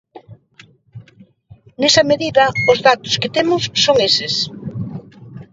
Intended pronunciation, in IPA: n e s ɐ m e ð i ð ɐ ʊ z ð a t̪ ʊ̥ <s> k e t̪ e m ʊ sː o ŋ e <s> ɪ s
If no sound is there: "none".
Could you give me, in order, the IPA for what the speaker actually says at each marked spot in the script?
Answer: s, s

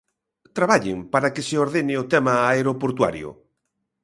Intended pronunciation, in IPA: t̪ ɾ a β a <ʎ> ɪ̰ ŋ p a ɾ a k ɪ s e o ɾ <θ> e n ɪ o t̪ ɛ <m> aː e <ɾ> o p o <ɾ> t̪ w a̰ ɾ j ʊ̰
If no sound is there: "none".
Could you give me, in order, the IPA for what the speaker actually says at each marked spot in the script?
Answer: ʎ, ð, m, ɾ, ɾ

